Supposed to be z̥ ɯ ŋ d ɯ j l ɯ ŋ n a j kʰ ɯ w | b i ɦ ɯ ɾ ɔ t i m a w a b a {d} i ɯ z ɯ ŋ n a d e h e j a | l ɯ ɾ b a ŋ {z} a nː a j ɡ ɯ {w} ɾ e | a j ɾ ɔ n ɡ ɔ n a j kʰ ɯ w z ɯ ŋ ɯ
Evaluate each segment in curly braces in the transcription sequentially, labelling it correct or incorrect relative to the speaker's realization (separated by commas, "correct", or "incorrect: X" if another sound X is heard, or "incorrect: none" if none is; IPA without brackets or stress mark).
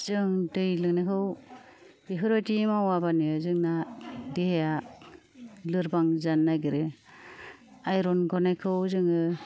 incorrect: n, correct, incorrect: none